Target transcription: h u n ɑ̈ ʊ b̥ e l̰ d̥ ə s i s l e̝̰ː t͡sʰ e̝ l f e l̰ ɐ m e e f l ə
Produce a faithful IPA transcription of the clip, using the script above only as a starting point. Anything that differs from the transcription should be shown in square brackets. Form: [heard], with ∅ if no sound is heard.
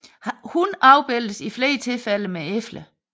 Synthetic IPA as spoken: h u n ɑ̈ ʊ b̥ e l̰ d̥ ə s i [f] l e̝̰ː t͡sʰ e̝ l f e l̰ [ə] m e e f l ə